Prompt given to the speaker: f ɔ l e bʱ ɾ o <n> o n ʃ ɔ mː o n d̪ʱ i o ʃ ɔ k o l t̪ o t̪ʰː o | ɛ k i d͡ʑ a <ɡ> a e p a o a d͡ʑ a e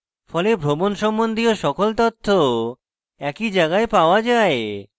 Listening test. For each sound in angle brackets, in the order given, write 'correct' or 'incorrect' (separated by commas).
incorrect, correct